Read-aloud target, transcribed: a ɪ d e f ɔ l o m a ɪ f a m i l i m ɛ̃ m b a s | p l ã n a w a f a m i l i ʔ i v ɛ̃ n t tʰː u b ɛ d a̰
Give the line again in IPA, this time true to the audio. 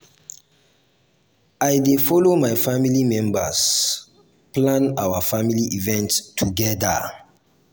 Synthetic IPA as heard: a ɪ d e f ɔ l o m a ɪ f a m i l i m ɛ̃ m b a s | p l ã n a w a f a m i l i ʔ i v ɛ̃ n t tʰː u ɡ ɛ d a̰

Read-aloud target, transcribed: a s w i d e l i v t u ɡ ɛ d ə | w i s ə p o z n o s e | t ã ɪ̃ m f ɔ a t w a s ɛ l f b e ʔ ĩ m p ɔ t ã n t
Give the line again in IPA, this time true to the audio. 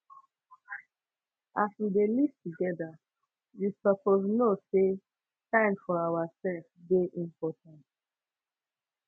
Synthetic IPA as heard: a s w i d e l i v t u ɡ ɛ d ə | w i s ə p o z n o s e | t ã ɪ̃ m f ɔ a w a s ɛ l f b e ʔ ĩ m p ɔ t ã n t

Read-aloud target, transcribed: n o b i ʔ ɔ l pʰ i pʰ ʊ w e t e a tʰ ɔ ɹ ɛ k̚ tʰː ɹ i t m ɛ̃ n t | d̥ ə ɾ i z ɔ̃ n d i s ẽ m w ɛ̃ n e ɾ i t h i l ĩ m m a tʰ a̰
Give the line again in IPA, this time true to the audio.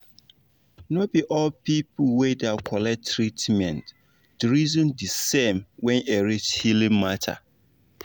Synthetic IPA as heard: n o b i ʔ ɔ l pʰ i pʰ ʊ w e d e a kʰ ɔ l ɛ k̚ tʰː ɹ i t m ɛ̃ n t | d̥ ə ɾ i z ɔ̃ n d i s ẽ m w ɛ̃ n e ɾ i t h i l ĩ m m a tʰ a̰

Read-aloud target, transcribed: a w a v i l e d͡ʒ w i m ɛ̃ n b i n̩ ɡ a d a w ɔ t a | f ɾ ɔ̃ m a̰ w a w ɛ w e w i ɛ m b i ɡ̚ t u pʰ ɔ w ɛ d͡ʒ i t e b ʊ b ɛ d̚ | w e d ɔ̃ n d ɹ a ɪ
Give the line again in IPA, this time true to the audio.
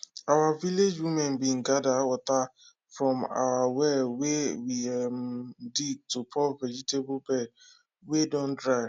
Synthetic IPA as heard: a w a v i l e d͡ʒ w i m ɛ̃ n b i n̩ ɡ a d a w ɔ t a | f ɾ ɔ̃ m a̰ w a w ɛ w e w i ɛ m d i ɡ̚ t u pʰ ɔ v ɛ d͡ʒ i t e b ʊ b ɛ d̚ | w e d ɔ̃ n d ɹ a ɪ

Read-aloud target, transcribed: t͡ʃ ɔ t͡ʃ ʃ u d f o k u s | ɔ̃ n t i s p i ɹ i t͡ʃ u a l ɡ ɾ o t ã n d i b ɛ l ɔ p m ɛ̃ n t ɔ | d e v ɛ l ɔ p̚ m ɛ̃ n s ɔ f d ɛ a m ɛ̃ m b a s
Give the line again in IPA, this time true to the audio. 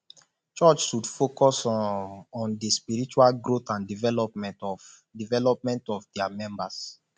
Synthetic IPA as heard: t͡ʃ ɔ t͡ʃ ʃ u d f o k ɔ s | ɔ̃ n d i s p i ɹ i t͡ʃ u a l ɡ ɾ o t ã n d i v ɛ l ɔ p m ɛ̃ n t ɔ | d i v ɛ l ɔ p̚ m ɛ̃ n t ɔ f d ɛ a m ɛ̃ m b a s

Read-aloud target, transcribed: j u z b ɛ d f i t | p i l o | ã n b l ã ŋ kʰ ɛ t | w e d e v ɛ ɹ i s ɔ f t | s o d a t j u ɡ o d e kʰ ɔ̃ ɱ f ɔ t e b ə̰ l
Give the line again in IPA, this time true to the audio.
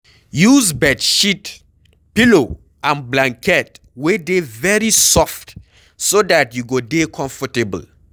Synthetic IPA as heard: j u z b ɛ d ʃ i t | p i l o | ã n b l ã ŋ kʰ ɛ t | w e d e v ɛ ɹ i s ɔ f t | s o d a t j u ɡ o d e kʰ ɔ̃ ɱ f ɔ t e b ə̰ l

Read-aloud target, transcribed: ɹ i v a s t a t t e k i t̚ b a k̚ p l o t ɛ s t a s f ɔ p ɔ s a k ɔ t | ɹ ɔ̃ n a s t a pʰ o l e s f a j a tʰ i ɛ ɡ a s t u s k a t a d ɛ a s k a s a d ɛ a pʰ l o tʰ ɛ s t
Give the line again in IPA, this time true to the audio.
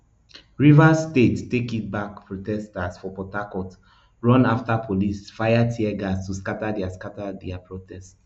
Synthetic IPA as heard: ɹ i v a s t e t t e k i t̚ b a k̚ p ɹ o t ɛ s t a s f ɔ p ɔ t a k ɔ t | ɹ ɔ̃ n a f t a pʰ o l i s f a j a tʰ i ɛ ɡ a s t u s k a t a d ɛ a s k a t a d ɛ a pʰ ɹ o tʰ ɛ s t

